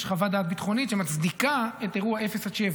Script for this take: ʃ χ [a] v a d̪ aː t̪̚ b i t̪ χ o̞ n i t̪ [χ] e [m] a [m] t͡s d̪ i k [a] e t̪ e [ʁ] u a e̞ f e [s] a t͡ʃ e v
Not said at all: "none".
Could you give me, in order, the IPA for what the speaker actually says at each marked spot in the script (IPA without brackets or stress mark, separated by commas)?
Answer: a, ʃ, m, none, a, ʁ, s